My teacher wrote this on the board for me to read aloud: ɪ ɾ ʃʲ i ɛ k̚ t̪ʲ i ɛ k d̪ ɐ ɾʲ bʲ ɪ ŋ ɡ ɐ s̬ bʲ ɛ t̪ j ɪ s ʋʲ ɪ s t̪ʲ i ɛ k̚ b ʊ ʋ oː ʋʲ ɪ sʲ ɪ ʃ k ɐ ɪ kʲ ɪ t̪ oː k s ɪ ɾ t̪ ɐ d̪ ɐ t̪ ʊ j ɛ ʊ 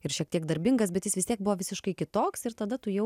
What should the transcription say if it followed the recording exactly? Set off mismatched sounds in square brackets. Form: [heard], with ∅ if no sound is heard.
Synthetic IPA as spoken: ɪ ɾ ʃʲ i ɛ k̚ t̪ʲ i ɛ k d̪ ɐ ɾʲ bʲ ɪ ŋ ɡ ɐ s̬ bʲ ɛ t̪ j ɪ s ʋʲ ɪ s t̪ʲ i ɛ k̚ b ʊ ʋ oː ʋʲ ɪ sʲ ɪ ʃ k ɐ ɪ kʲ ɪ t̪ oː k s ɪ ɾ t̪ ɐ d̪ ɐ t̪ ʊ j ɛ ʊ